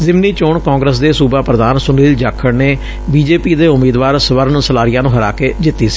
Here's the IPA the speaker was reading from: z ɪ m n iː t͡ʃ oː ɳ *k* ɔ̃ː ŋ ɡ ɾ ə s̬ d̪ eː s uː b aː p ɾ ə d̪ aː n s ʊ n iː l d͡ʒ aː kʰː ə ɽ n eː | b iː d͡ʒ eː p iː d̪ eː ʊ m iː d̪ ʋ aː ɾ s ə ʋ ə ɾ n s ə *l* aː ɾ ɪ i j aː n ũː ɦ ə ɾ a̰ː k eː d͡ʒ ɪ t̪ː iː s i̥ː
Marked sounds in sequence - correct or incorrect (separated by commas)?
correct, correct